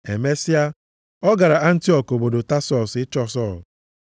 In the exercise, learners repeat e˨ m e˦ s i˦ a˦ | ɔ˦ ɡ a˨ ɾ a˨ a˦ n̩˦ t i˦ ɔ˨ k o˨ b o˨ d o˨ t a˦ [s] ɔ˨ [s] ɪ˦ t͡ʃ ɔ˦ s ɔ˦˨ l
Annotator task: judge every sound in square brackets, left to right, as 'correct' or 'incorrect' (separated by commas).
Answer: correct, correct